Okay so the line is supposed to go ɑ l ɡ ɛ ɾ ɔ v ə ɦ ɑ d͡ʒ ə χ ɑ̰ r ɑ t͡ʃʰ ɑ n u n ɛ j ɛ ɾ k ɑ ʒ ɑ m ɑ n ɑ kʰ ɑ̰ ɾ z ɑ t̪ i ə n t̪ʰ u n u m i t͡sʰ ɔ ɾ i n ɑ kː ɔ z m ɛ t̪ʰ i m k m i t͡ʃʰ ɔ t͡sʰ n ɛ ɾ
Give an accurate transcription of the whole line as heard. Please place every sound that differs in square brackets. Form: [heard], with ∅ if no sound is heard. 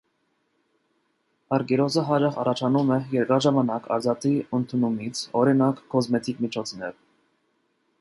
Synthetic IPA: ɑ [ɾ] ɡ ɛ ɾ ɔ [z] ə ɦ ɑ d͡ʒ [ɑ] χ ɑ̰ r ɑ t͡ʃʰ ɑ n u [m] ɛ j ɛ ɾ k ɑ ʒ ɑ m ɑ n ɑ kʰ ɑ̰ ɾ z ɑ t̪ i ə n t̪ʰ u n u m i t͡sʰ ɔ ɾ i n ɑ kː ɔ z m ɛ t̪ʰ i [∅] k m i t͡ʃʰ ɔ t͡sʰ n ɛ ɾ